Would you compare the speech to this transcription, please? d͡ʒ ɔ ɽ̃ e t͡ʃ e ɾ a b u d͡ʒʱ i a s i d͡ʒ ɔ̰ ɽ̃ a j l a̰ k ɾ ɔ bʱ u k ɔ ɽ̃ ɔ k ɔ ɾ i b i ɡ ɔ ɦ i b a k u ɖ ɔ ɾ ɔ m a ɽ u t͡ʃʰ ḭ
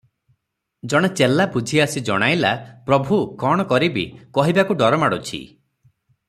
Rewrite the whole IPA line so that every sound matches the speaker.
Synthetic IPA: d͡ʒ ɔ ɽ̃ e t͡ʃ e l a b u d͡ʒʱ i a s i d͡ʒ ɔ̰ ɽ̃ a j l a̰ p ɾ ɔ bʱ u k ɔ ɽ̃ ɔ k ɔ ɾ i b i k ɔ ɦ i b a k u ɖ ɔ ɾ ɔ m a ɽ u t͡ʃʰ ḭ